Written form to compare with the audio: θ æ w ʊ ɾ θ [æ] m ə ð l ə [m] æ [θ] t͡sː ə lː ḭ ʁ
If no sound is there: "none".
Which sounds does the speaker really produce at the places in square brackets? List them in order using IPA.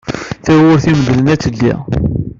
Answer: i, n, none

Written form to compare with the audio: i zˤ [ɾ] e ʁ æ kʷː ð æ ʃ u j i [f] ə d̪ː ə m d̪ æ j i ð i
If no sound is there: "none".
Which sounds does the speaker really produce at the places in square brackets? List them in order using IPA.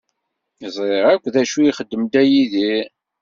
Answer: ɾ, χ

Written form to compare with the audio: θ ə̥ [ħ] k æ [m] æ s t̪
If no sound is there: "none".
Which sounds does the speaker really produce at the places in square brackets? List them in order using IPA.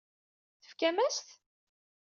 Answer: f, m

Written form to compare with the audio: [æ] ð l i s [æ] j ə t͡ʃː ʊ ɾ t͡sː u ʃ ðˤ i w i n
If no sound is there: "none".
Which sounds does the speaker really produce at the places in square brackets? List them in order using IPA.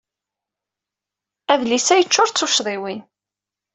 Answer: æ, æ

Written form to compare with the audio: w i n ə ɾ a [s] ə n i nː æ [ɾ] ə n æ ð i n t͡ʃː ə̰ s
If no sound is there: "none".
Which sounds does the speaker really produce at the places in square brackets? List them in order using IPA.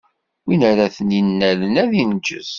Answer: θ, l

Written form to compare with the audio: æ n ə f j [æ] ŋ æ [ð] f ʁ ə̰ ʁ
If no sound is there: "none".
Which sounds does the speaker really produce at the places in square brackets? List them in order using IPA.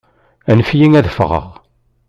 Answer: i, ð

